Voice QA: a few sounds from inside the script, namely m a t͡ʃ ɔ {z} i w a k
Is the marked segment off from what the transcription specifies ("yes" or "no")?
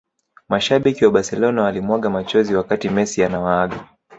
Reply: no